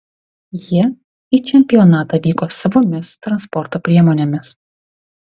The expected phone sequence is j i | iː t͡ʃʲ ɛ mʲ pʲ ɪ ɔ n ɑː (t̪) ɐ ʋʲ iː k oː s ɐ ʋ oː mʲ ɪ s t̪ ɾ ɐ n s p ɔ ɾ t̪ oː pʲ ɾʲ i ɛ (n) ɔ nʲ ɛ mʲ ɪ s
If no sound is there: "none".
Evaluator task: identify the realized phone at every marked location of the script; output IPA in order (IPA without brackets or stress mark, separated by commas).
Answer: t̪, m